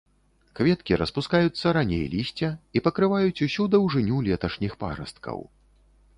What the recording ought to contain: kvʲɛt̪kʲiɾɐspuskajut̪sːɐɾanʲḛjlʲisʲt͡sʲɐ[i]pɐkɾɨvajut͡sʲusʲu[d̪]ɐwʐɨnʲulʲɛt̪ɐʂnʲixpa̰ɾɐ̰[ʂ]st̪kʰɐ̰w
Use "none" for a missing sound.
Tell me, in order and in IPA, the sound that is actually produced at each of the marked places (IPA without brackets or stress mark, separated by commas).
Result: i, d̪, none